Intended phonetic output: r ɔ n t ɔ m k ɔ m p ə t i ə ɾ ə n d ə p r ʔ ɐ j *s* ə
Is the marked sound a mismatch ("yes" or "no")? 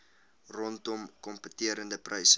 no